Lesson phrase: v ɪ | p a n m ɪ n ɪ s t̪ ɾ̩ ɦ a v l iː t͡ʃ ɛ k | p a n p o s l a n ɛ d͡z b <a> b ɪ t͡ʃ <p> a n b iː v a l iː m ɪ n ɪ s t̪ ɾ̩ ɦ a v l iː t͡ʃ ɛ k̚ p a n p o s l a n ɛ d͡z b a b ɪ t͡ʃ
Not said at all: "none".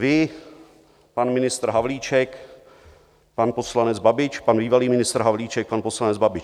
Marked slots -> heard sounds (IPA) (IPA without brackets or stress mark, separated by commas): a, p